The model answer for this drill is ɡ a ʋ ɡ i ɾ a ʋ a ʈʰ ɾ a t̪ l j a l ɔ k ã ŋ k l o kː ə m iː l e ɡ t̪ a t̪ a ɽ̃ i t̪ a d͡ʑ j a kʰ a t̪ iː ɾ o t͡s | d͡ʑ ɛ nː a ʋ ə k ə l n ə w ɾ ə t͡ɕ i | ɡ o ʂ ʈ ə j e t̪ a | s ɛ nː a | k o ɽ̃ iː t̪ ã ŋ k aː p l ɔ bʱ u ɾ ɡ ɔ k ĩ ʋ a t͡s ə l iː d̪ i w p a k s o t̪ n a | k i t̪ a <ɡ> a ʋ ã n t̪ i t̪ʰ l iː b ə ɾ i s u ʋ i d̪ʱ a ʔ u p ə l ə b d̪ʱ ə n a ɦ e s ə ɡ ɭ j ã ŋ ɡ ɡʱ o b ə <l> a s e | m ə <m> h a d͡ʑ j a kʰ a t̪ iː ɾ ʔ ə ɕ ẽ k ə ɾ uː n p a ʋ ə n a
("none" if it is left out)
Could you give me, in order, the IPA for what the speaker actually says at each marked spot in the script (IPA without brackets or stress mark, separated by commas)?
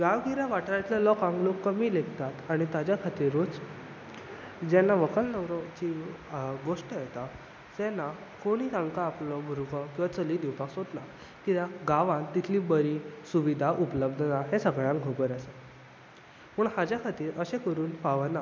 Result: ɡ, ɾ, ɳ